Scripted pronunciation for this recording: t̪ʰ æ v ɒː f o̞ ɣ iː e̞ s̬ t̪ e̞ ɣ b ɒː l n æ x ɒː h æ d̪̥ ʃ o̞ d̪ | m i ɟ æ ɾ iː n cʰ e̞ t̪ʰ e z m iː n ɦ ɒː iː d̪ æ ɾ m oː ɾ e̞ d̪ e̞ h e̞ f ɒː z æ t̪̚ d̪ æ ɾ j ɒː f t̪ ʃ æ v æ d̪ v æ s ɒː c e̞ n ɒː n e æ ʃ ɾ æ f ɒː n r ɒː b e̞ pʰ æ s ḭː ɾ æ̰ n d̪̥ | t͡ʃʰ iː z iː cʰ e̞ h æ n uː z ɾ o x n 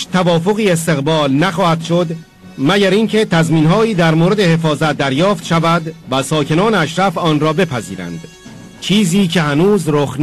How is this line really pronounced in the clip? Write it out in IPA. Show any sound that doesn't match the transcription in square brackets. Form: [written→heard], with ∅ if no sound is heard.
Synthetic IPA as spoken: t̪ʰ æ v ɒː f o̞ ɣ iː e̞ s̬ t̪ e̞ ɣ b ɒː l n æ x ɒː h æ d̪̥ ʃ o̞ d̪ | m [i→æ] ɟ æ ɾ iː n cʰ e̞ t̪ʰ [e→æ] z m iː n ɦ ɒː iː d̪ æ ɾ m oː ɾ e̞ d̪ e̞ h e̞ f ɒː z æ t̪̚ d̪ æ ɾ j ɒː f t̪ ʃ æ v æ d̪ v æ s ɒː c e̞ n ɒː n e æ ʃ ɾ æ f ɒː n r ɒː b e̞ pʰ æ [s→z] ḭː ɾ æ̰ n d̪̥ | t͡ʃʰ iː z iː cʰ e̞ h æ n uː z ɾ o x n